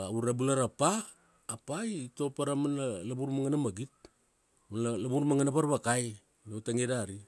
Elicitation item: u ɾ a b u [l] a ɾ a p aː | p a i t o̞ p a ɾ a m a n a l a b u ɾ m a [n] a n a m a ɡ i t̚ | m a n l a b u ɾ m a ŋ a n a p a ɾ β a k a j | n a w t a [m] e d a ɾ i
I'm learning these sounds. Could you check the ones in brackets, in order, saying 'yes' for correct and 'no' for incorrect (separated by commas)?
yes, no, no